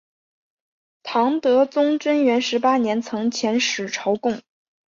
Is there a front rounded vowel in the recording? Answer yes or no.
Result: no